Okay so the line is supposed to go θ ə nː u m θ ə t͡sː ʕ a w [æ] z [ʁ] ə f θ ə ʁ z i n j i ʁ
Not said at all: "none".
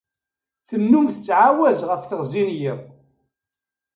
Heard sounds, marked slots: æ, ʁ

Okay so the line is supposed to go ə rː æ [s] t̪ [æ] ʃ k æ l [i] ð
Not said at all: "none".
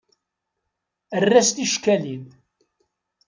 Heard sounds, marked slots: s, i, i

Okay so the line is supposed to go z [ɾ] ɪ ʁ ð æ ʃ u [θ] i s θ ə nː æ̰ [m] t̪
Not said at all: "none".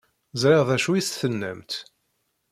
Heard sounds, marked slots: ɾ, none, m

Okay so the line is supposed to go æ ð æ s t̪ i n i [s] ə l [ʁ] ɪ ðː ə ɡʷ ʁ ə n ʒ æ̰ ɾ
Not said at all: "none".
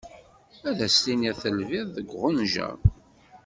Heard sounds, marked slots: θ, v

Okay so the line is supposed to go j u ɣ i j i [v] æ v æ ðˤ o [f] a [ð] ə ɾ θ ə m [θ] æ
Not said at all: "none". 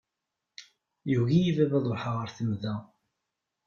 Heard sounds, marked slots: v, ħ, ʁ, ð

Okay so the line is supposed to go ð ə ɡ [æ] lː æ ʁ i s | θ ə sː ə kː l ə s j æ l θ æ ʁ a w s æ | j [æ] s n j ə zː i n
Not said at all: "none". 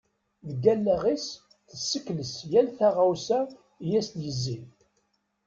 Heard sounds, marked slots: æ, æ

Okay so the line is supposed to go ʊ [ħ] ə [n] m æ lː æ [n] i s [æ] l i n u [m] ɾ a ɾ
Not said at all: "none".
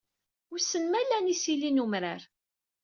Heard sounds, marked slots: s, n, n, i, m

